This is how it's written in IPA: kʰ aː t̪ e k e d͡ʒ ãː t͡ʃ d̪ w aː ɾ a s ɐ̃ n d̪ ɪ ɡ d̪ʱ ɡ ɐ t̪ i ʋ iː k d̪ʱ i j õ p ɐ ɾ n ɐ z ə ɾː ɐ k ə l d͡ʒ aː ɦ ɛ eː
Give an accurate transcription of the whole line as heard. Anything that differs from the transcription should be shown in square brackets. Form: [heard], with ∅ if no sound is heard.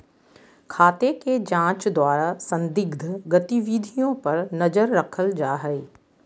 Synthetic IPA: kʰ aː t̪ e k e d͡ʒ ãː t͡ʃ d̪ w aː ɾ a s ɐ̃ n d̪ ɪ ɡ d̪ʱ ɡ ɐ t̪ i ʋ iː [∅] d̪ʱ i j õ p ɐ ɾ n ɐ z ə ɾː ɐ [kʰ] ə l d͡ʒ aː ɦ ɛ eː